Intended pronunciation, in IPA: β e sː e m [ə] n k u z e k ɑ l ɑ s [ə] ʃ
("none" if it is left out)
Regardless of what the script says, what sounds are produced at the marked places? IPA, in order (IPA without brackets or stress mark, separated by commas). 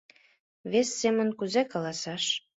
ə, ɑ